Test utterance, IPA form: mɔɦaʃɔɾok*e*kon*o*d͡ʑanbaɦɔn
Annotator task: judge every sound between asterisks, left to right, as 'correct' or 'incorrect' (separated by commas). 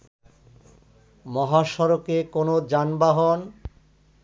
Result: correct, correct